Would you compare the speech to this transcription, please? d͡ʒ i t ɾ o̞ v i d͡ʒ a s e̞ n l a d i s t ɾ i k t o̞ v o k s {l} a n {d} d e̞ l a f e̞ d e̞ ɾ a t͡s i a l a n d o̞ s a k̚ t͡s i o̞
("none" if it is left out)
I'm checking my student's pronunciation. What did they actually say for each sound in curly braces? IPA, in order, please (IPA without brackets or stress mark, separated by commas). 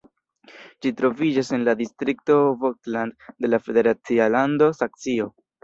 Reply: l, d